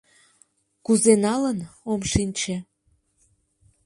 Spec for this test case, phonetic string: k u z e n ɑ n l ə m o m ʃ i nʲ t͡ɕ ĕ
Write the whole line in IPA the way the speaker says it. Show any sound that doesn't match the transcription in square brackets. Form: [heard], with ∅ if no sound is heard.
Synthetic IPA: k u z e n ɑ [∅] l ə [n] o m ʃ i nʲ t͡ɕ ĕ